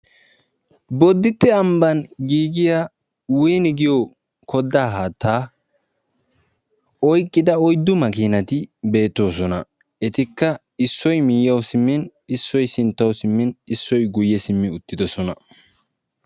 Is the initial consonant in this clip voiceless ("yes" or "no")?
no